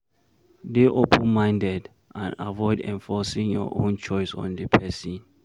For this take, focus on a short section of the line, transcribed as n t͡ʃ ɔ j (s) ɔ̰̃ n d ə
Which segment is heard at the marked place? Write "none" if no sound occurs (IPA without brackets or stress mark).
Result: s